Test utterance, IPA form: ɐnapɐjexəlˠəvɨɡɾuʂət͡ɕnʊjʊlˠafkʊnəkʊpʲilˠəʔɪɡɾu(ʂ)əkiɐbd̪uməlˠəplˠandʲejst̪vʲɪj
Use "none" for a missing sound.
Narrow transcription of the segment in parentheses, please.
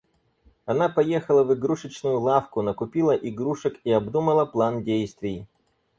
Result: ʂ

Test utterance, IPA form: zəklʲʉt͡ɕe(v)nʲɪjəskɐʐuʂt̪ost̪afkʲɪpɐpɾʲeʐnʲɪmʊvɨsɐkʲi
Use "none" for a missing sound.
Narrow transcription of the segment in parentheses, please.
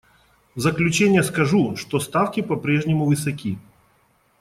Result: none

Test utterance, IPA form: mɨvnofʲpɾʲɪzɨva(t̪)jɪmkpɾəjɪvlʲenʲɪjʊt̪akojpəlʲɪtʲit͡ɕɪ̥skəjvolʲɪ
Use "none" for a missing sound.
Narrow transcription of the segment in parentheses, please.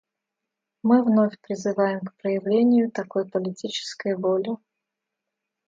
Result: none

